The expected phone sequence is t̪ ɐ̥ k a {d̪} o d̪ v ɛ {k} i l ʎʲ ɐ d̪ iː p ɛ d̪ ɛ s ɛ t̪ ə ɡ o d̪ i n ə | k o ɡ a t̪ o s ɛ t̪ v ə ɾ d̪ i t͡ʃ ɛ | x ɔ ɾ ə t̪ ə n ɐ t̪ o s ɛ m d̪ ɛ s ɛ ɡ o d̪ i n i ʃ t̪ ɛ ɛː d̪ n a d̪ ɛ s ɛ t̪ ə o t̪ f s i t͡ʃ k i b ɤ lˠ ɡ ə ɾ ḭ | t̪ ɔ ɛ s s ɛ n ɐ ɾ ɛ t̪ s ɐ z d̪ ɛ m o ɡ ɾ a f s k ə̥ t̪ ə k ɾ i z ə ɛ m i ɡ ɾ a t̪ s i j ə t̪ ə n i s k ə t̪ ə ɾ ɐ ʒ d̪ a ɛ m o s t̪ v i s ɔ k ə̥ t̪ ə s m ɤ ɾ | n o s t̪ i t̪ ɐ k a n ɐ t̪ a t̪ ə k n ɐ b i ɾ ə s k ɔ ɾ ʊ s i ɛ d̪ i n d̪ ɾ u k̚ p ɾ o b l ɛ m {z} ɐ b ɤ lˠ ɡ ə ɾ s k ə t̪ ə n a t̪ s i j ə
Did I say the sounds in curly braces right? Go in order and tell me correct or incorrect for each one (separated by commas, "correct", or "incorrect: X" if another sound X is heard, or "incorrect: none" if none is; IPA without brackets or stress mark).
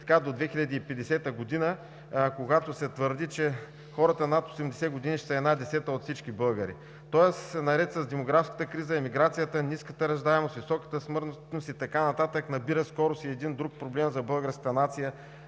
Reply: correct, incorrect: x, correct